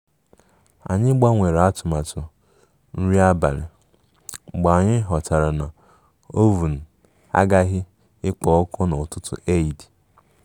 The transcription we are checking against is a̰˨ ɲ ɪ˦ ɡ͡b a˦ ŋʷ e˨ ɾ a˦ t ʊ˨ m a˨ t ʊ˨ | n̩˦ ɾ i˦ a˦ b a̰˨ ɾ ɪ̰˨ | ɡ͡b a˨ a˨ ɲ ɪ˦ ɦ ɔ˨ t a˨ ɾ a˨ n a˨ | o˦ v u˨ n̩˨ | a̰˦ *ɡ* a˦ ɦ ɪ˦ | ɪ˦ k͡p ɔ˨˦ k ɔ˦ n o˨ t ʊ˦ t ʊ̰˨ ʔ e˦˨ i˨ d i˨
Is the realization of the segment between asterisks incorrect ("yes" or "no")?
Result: no